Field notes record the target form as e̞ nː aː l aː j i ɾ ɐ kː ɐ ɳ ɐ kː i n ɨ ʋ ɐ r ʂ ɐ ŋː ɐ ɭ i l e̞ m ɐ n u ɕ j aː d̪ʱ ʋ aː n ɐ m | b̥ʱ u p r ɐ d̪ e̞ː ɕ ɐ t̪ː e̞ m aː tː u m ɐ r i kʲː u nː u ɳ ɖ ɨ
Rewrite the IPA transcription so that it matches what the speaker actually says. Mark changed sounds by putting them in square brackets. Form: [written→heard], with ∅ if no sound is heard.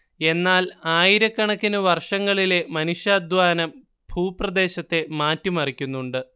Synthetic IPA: e̞ nː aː l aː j i ɾ ɐ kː ɐ ɳ ɐ kː i n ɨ ʋ ɐ r ʂ ɐ ŋː ɐ ɭ i l e̞ m ɐ n u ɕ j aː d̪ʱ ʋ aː n ɐ m | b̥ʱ [u→uː] p r ɐ d̪ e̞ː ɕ ɐ t̪ː e̞ m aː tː u m ɐ r i kʲː u nː u ɳ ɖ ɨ